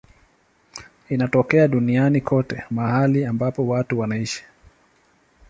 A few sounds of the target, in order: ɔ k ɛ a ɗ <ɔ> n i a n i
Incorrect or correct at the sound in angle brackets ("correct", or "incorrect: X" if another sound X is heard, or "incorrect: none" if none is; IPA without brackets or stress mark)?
incorrect: u